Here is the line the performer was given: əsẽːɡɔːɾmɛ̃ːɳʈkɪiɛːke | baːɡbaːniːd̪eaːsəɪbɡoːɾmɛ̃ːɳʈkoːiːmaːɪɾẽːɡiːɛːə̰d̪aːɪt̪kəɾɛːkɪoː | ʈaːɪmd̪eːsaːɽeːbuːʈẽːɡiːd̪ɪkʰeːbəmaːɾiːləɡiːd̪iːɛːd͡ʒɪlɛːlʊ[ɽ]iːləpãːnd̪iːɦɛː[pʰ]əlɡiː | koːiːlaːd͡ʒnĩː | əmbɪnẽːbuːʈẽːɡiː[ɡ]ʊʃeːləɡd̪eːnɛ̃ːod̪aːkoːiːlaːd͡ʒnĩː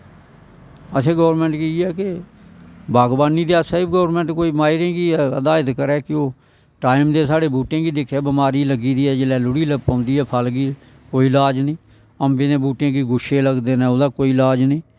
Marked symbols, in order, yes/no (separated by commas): yes, yes, yes